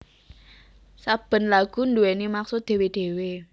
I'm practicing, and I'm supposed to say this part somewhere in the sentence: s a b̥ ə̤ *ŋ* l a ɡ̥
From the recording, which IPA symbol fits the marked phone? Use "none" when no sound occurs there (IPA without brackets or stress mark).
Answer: n